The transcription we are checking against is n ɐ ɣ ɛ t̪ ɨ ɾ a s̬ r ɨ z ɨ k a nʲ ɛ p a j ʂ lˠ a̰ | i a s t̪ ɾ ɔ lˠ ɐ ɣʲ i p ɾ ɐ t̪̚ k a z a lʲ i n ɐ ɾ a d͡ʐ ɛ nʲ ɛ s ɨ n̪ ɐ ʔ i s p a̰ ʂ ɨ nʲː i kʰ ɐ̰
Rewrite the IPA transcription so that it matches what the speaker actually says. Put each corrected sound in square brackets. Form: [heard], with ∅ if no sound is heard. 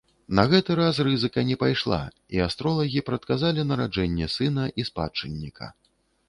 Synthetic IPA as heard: n ɐ ɣ ɛ t̪ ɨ ɾ a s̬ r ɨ z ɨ k [ɐ] nʲ ɛ p a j ʂ lˠ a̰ | i a s t̪ ɾ ɔ lˠ ɐ ɣʲ i p ɾ ɐ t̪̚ k a z a lʲ i n ɐ ɾ a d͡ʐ ɛ [nʲː] ɛ s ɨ n̪ ɐ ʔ i s p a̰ [t͡ʂ] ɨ nʲː i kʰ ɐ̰